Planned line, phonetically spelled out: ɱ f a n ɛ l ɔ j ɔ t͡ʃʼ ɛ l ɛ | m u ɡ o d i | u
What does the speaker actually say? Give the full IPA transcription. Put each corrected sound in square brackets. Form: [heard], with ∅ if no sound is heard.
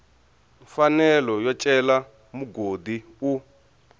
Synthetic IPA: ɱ f a n ɛ l ɔ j ɔ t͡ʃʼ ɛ l [a] | m u ɡ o d i | u